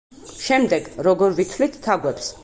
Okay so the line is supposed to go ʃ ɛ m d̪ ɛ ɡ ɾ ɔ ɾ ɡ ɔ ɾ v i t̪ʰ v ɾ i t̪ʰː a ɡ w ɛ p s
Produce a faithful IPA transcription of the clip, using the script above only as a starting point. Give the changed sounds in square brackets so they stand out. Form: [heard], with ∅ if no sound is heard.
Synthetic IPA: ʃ ɛ m d̪ ɛ ɡ ɾ ɔ [∅] ɡ ɔ ɾ v i t̪ʰ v [l] i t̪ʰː a ɡ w ɛ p s